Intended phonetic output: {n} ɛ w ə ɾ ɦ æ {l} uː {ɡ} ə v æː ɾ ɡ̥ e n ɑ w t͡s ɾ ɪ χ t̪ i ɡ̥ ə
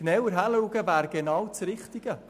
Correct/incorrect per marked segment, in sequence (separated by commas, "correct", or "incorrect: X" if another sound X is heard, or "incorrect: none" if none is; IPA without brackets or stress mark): correct, correct, correct